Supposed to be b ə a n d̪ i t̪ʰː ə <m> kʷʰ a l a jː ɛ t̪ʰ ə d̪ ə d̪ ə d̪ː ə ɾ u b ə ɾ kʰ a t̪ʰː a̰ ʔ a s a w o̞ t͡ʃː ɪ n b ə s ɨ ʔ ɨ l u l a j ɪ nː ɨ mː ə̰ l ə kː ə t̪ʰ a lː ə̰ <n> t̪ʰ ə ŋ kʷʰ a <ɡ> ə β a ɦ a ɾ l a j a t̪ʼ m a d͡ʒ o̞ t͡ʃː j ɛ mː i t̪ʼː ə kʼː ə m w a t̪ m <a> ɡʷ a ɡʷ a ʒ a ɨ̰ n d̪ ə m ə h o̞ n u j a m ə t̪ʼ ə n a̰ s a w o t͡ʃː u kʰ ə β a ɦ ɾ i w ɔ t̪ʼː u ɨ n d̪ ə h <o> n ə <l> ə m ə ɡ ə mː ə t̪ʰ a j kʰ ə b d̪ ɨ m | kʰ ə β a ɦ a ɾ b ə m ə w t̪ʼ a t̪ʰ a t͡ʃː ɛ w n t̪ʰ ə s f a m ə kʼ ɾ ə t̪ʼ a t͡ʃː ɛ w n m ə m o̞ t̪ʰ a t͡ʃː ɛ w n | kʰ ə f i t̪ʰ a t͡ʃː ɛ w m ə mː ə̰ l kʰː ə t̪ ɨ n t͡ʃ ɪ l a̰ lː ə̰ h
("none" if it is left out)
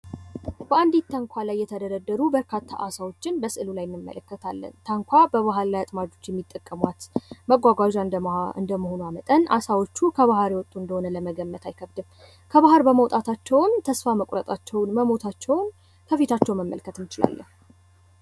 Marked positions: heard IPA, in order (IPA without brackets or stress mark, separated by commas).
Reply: ŋ, n, b, ə, o, l